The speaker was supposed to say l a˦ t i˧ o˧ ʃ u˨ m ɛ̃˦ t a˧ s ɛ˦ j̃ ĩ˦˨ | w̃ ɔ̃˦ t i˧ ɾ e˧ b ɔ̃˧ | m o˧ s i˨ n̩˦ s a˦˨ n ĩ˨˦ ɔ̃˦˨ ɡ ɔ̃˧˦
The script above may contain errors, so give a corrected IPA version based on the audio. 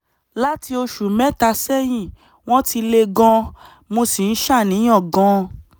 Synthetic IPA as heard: l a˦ t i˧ o˧ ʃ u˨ m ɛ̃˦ t a˧ s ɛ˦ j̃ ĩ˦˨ | w̃ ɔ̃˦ t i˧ l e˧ ɡ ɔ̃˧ | m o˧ s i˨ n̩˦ ʃ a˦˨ n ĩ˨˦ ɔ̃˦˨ ɡ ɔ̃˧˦